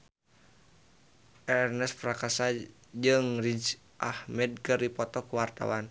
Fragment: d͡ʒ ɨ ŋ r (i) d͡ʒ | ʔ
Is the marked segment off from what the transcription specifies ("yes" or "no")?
no